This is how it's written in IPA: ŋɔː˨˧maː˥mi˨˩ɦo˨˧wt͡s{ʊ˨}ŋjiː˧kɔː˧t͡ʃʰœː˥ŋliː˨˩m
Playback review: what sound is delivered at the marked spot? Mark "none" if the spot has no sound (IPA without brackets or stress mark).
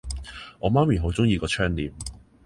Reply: ʊ˥